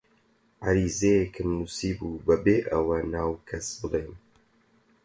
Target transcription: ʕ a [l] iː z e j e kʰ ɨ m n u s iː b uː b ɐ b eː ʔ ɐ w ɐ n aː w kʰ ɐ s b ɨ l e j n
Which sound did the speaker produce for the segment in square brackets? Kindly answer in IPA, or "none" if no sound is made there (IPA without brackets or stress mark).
ɾ